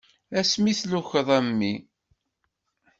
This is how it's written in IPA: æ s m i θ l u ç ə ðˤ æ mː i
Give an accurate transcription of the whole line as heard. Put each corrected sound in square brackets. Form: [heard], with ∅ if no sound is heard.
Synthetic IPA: æ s m i θ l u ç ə ðˤ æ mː i